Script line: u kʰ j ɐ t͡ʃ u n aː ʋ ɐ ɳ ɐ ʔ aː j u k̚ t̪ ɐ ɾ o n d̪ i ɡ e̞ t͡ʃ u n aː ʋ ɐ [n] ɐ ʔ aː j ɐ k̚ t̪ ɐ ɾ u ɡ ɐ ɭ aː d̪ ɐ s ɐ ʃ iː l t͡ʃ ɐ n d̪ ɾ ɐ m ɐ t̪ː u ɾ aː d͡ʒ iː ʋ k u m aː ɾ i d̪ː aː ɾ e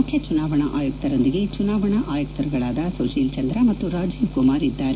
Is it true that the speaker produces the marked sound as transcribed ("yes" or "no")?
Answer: no